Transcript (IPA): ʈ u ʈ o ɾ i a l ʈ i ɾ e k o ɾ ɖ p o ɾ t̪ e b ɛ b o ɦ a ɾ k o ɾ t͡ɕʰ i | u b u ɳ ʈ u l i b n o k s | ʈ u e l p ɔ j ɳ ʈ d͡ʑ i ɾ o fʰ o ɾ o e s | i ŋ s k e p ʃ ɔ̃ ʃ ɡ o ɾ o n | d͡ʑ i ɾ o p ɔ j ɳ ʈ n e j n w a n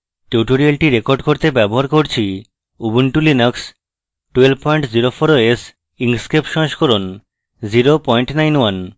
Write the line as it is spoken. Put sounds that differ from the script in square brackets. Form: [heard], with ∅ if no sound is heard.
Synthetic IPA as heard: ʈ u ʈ o ɾ i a l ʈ i ɾ e k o ɾ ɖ [k] o ɾ t̪ e b ɛ b o ɦ a ɾ k o ɾ t͡ɕʰ i | u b u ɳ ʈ u l i [∅] n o k s | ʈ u e l p ɔ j ɳ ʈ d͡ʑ i ɾ o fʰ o ɾ o e s | i ŋ s k e p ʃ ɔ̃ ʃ [k] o ɾ o n | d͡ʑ i ɾ o p ɔ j ɳ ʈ n [a] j n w a n